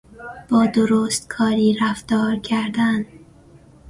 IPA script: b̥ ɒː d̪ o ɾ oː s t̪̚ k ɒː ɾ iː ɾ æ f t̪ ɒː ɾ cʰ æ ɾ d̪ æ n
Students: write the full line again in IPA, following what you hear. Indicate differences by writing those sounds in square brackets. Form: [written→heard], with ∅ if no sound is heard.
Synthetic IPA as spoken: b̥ ɒː d̪ o ɾ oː s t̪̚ [k→kʰ] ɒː ɾ iː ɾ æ f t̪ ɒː ɾ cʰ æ ɾ d̪ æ n

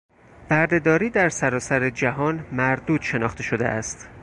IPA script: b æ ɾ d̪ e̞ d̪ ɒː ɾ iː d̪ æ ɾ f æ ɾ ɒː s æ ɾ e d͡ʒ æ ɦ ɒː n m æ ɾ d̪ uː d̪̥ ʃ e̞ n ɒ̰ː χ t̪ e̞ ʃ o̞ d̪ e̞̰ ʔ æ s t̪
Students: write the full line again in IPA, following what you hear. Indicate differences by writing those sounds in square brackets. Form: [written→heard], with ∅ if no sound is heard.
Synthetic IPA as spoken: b æ ɾ d̪ e̞ d̪ ɒː ɾ iː d̪ æ ɾ [f→s] æ ɾ ɒː s æ ɾ e d͡ʒ æ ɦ ɒː n m æ ɾ d̪ uː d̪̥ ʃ e̞ n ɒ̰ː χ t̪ e̞ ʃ o̞ d̪ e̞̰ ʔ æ s t̪

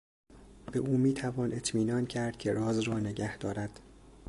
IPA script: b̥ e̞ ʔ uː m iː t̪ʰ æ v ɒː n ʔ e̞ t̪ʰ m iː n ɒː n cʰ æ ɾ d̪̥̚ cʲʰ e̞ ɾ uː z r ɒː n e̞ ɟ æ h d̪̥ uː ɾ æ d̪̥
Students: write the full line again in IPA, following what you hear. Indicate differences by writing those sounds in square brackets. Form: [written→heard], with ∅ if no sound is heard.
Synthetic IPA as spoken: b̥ e̞ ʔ uː m iː t̪ʰ æ v ɒː n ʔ e̞ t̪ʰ m iː n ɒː n cʰ æ ɾ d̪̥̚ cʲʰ e̞ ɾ [uː→ɒː] z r ɒː n e̞ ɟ æ h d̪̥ [uː→ɒː] ɾ æ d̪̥

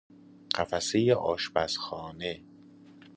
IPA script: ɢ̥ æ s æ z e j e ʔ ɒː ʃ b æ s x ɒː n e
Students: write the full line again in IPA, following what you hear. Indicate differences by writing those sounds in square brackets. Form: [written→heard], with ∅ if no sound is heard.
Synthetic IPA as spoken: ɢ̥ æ [s→f] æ [z→s] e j e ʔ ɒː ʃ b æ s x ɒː n e

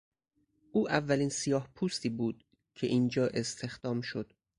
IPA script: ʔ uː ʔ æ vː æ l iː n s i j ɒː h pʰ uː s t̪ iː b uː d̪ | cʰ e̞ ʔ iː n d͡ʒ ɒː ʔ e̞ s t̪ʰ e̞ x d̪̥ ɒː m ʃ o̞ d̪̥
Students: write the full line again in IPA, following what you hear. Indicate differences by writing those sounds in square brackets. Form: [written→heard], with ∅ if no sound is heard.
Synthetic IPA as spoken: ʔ uː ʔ æ vː æ l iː n s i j ɒː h pʰ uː s t̪ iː b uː d̪ | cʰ e̞ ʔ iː n d͡ʒ ɒː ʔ e̞ s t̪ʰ e̞ x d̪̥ ɒː m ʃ o̞ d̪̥

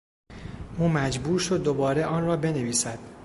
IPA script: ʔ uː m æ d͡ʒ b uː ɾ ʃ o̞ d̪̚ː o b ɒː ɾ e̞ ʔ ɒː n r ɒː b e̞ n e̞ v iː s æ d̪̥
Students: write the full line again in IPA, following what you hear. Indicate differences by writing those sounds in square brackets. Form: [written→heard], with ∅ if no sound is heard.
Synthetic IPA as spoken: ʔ uː m æ d͡ʒ b uː ɾ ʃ o̞ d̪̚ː o b ɒː ɾ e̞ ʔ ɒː n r ɒː b e̞ n e̞ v iː s æ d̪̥

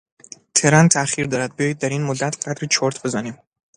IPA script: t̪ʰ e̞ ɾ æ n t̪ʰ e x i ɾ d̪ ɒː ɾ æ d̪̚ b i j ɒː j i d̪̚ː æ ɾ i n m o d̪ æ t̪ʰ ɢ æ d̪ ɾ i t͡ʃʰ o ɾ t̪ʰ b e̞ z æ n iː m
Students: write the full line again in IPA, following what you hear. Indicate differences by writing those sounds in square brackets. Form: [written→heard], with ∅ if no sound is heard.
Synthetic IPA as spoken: t̪ʰ e̞ ɾ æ n t̪ʰ [e→æ] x i ɾ d̪ ɒː ɾ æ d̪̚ b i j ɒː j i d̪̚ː æ ɾ i n m o [d̪→d̪ː] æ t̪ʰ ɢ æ d̪ ɾ i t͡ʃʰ o ɾ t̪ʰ b e̞ z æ n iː m

